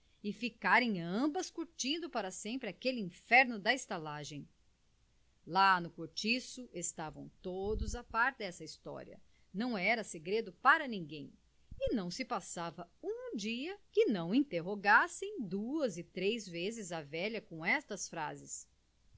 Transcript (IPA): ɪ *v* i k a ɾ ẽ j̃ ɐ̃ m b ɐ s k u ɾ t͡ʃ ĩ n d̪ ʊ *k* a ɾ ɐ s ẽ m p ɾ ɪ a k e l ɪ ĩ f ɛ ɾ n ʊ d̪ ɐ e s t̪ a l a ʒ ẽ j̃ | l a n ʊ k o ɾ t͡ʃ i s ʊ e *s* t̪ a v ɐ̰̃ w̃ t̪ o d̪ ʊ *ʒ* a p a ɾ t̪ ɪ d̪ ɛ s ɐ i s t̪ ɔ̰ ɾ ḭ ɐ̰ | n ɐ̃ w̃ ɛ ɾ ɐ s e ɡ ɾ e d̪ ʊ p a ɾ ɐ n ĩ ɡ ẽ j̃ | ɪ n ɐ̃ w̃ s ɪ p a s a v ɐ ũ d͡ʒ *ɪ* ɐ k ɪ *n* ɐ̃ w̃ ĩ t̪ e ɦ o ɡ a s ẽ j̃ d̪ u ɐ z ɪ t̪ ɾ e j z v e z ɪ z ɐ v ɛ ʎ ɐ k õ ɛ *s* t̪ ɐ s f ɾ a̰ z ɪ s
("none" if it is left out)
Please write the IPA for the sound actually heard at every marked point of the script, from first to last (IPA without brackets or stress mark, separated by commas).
f, p, s, z, i, n, s